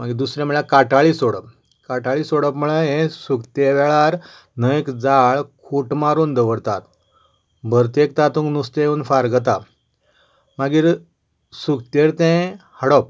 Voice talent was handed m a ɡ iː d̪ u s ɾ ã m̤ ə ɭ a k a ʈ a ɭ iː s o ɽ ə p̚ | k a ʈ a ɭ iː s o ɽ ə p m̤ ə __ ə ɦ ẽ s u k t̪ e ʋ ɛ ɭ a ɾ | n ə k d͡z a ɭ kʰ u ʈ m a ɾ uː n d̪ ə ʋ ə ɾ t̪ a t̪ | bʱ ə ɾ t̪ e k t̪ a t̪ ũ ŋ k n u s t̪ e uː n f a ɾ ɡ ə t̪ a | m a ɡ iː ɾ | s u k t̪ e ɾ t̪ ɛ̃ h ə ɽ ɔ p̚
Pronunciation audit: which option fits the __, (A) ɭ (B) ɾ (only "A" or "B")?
A